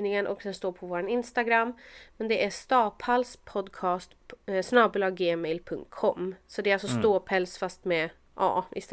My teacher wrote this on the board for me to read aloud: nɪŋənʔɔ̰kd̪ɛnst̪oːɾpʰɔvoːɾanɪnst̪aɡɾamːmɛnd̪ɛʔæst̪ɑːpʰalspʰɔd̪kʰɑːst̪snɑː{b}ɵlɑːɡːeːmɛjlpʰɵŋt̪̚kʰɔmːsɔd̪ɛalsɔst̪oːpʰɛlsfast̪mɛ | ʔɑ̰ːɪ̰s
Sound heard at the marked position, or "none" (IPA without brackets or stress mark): b